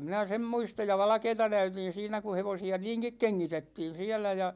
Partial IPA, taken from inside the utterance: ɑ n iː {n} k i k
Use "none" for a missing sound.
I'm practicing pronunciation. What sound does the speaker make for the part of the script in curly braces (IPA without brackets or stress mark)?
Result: ŋ